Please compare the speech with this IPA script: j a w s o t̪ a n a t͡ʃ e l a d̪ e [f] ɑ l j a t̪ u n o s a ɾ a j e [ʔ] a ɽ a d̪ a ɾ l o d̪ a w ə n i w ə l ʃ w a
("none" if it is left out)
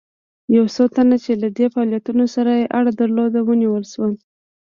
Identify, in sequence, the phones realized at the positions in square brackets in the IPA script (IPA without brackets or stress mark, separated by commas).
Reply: f, ʔ